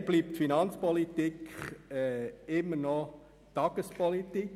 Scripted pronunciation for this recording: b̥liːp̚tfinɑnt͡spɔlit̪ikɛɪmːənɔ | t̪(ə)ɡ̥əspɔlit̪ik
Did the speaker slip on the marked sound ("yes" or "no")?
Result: yes